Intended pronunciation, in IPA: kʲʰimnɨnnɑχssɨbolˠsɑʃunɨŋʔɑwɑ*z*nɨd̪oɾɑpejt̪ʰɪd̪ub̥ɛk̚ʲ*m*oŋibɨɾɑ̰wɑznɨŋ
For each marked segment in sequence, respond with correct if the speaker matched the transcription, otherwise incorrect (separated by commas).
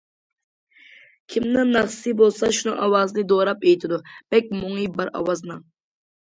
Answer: correct, correct